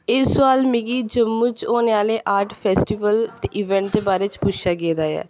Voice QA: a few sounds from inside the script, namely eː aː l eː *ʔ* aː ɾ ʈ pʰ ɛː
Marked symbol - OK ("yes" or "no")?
yes